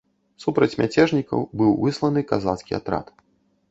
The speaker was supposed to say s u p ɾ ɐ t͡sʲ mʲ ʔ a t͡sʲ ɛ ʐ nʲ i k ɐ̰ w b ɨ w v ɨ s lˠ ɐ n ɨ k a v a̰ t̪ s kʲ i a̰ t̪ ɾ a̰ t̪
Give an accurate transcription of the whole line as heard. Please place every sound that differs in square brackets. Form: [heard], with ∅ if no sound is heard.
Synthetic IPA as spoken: s u p ɾ ɐ t͡sʲ mʲ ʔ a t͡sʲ ɛ ʐ nʲ i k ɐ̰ w b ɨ w v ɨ s lˠ ɐ n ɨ k a [z] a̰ t̪ s kʲ i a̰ t̪ ɾ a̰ t̪